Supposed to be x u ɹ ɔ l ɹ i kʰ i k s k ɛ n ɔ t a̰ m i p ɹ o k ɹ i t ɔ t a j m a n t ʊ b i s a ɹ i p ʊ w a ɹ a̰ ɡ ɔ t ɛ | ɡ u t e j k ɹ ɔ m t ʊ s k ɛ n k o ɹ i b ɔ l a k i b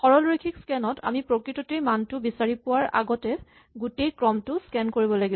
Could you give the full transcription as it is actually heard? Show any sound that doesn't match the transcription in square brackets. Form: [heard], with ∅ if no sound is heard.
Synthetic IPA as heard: x [ɔ] ɹ ɔ l ɹ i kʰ i k s k ɛ n ɔ t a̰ m i p ɹ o k ɹ i t ɔ t [e] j m a n t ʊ b i s a ɹ i p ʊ w a ɹ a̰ ɡ ɔ t ɛ | ɡ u t e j k ɹ ɔ m t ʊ s k ɛ n k o ɹ i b ɔ l a [ɡ] i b